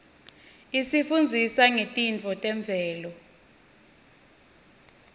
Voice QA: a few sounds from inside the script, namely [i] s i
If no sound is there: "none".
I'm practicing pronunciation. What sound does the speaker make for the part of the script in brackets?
i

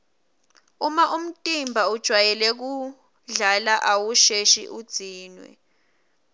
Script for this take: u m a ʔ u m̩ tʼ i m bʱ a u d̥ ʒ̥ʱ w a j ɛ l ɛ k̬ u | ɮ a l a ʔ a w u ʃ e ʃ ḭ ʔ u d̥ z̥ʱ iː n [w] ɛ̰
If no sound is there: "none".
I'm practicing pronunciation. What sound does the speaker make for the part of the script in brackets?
w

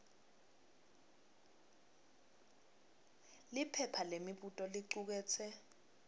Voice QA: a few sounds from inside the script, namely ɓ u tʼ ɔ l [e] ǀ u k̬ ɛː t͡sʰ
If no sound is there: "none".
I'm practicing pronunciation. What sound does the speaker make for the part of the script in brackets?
i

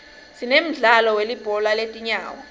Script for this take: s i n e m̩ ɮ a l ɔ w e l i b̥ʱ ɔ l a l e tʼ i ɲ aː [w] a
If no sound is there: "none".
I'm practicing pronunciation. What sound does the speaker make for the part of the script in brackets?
w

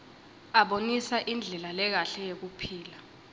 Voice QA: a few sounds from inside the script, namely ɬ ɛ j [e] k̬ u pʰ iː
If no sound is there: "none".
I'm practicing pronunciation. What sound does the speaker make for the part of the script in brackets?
e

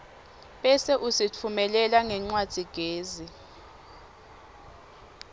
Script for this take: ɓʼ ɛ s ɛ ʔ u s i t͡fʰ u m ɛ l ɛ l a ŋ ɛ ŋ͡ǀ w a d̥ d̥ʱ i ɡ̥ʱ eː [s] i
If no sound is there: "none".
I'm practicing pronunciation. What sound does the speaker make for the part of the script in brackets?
z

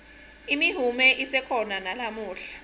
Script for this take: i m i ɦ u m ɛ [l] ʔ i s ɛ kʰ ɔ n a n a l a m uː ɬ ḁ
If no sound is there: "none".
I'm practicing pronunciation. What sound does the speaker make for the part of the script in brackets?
none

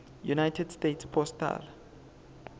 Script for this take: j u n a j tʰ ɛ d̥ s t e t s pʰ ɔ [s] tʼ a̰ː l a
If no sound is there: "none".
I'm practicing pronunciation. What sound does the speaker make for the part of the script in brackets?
s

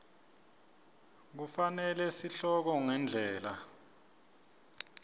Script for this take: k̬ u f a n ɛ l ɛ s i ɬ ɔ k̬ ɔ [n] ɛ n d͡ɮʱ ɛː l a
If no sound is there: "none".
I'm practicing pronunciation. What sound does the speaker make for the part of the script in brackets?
ŋ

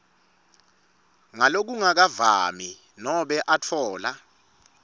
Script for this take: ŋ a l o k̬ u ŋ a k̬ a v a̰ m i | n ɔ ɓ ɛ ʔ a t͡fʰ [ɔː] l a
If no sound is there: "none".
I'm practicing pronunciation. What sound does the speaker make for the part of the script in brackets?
ɔː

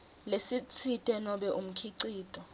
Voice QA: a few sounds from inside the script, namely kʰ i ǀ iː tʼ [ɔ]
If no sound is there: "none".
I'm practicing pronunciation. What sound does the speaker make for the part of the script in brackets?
ɔ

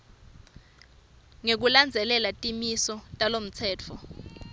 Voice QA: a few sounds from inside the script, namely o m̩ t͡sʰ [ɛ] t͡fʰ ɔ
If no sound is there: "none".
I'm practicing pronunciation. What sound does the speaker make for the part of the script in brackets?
ɛː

